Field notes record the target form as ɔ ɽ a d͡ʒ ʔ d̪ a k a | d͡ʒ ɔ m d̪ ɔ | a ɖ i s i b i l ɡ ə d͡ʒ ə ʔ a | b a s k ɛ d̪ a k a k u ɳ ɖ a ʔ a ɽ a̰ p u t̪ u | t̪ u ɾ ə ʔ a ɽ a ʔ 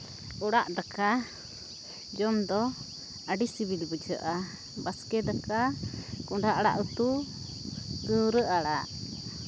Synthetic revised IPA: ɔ ɽ a ʔ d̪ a k a | d͡ʒ ɔ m d̪ ɔ | a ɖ i s i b i l b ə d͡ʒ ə ʔ a | b a s k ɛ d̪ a k a k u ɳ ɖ a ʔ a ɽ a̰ ʔ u t̪ u | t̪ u ɾ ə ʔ a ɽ a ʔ